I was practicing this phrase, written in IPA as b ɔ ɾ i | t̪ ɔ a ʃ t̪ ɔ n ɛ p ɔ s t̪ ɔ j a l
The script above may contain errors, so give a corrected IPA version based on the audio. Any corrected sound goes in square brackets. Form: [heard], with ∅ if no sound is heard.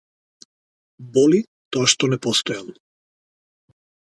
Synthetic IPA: b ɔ [l] i | t̪ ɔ a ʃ t̪ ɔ n ɛ p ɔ s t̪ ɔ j a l